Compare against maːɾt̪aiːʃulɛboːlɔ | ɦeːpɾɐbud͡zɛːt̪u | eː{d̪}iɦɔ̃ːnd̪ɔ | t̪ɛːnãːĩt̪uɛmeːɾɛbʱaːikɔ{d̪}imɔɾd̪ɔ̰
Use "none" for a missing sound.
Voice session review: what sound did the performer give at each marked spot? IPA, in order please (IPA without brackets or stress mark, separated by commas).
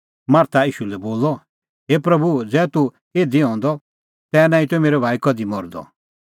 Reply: d̪, d̪